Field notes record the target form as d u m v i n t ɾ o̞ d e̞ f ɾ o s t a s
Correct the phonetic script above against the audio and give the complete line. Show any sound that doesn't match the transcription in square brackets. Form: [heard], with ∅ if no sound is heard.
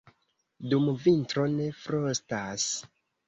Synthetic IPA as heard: d u m v i n t ɾ o̞ [n] e̞ f ɾ o s t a s